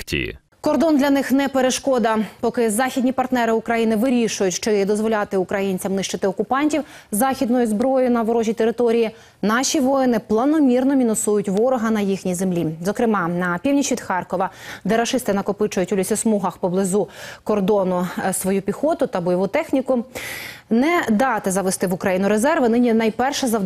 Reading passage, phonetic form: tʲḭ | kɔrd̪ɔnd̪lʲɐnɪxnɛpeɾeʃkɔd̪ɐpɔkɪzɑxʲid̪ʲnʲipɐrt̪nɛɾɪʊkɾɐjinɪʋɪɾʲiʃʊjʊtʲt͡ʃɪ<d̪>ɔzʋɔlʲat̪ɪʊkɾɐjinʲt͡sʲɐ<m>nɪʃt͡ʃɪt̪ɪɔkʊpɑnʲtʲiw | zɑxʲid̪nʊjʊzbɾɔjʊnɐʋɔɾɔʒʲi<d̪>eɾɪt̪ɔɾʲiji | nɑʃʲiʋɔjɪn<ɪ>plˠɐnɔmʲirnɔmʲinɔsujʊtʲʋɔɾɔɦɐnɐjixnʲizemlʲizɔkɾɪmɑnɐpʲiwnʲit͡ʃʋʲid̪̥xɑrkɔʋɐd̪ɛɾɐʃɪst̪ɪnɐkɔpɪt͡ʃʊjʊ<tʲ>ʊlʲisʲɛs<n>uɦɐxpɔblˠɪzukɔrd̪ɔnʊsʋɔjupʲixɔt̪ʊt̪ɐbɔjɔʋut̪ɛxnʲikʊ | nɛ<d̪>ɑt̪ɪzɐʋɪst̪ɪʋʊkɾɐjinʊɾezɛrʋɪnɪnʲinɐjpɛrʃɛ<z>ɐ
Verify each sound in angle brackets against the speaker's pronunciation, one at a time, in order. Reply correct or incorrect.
correct, correct, incorrect, correct, correct, incorrect, correct, correct

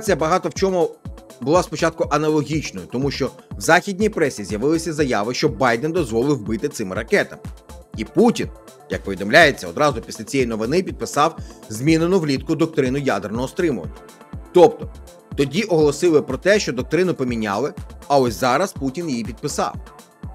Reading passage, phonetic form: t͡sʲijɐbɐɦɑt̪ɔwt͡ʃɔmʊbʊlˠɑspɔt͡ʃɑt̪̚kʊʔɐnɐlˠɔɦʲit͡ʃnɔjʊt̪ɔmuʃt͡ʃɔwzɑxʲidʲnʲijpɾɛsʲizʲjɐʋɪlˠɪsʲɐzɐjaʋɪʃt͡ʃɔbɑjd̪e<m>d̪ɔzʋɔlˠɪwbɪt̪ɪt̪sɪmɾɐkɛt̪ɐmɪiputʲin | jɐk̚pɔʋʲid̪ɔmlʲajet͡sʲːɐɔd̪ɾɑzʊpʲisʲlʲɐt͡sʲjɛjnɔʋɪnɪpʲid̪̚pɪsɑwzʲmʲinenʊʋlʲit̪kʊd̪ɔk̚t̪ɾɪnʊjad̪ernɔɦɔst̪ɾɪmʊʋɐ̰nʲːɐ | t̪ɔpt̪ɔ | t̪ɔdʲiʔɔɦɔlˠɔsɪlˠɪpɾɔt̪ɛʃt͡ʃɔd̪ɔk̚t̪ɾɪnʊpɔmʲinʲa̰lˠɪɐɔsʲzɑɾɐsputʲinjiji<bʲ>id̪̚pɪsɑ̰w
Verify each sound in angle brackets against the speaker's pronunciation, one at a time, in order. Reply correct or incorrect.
incorrect, incorrect

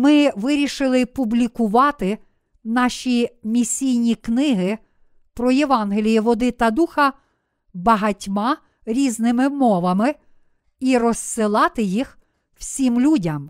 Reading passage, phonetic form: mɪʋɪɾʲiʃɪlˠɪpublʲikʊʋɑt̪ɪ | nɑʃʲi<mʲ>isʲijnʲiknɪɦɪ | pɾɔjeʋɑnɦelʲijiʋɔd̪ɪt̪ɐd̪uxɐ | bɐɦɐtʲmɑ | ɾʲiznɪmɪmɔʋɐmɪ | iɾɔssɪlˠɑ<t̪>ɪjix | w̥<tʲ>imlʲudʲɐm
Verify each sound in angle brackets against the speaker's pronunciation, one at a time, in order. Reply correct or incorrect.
correct, correct, incorrect

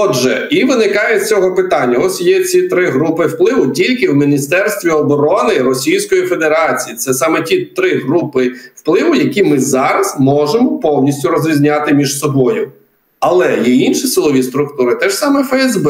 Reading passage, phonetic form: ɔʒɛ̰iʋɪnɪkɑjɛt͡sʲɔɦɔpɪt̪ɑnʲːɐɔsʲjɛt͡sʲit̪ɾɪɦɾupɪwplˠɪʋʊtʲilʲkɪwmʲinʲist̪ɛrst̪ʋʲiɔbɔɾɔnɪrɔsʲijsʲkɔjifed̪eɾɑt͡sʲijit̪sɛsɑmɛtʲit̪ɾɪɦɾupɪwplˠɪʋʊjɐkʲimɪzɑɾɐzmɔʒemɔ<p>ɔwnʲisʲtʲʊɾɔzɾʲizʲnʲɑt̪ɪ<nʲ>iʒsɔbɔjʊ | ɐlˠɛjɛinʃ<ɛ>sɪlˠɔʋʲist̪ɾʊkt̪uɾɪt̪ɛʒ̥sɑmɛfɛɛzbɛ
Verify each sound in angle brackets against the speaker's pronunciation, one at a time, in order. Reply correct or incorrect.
correct, incorrect, incorrect

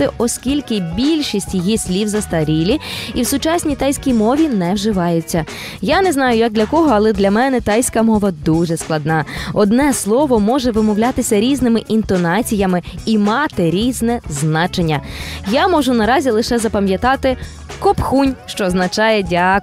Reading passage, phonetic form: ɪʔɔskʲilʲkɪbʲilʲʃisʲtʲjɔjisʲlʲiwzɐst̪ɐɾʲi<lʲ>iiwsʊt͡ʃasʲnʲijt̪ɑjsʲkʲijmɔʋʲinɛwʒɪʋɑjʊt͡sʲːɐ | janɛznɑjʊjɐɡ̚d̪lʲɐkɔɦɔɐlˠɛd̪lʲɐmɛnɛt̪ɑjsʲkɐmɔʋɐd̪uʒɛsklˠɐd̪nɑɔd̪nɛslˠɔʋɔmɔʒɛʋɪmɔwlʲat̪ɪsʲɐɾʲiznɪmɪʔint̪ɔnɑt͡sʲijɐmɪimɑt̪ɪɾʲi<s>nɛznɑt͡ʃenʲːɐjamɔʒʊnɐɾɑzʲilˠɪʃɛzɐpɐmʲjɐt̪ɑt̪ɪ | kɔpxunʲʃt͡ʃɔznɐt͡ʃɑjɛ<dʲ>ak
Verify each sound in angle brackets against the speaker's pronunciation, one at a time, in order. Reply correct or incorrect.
correct, incorrect, correct

